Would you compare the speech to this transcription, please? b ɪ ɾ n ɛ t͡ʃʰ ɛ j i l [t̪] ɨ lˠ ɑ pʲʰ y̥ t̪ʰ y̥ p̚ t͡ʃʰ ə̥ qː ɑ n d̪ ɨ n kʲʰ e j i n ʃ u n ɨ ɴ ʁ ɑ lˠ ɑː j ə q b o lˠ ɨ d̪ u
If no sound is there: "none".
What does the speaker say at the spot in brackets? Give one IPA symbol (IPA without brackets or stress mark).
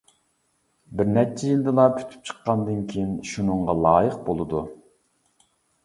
d̪